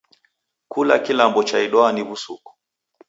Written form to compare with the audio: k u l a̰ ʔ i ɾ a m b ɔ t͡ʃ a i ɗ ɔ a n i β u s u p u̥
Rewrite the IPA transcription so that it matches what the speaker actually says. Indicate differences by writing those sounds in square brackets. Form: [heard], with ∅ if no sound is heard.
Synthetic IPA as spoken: k u l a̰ [k] i [l] a m b ɔ t͡ʃ a i ɗ ɔ a n i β u s u [k] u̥